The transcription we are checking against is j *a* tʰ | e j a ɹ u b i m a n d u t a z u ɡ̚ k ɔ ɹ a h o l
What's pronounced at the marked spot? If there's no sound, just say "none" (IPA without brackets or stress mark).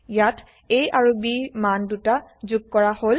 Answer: a